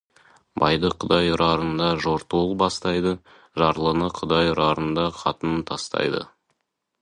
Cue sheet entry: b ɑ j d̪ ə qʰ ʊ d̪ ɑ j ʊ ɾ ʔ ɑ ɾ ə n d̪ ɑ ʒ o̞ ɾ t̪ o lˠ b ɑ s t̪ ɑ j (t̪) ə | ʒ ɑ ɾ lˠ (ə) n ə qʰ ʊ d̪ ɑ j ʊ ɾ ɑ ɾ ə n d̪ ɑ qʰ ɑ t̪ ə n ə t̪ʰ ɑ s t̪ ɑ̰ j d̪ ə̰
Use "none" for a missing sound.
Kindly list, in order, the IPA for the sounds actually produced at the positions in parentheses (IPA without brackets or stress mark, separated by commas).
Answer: d̪, ə